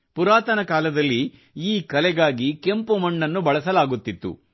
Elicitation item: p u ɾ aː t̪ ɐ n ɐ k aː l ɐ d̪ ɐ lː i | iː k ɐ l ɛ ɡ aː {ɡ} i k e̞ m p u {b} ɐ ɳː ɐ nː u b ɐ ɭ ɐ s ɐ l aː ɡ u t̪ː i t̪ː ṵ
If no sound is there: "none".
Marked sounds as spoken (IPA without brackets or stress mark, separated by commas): ɡ, m